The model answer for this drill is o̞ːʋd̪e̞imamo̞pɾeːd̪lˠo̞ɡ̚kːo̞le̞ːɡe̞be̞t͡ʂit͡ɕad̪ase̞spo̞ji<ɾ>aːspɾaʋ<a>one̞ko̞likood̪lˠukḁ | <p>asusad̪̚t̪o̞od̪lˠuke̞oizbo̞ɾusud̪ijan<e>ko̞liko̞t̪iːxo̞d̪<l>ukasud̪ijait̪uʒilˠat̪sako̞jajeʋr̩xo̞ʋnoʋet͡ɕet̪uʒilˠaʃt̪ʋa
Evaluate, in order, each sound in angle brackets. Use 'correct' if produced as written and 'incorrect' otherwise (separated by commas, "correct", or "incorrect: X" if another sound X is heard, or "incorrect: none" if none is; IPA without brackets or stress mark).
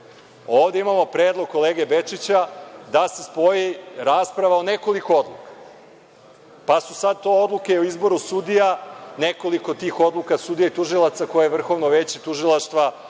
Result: correct, correct, correct, correct, correct